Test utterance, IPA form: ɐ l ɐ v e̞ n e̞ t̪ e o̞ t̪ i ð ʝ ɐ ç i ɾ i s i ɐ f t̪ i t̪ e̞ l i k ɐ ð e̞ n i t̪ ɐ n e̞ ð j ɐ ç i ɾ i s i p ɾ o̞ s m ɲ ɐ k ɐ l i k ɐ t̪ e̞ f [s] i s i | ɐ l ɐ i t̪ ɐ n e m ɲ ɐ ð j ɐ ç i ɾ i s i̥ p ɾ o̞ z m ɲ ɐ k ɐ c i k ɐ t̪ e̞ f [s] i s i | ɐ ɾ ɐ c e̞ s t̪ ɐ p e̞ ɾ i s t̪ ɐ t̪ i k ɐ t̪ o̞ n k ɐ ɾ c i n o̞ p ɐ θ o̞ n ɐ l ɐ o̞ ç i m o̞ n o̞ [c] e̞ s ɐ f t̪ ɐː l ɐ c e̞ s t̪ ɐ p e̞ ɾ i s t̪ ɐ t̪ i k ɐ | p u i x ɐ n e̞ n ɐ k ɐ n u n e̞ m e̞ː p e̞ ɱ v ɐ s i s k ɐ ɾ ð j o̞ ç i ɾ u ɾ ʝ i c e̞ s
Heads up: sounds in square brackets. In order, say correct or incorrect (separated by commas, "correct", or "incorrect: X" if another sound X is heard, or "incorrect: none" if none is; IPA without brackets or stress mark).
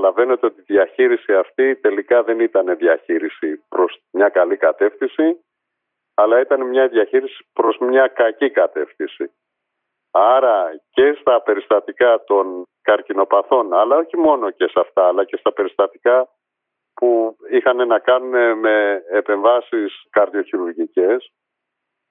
incorrect: θ, incorrect: θ, correct